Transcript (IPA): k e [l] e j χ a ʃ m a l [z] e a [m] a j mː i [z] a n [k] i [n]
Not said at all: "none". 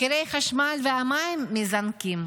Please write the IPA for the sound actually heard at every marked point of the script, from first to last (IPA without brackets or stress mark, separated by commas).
ɾ, v, m, z, k, m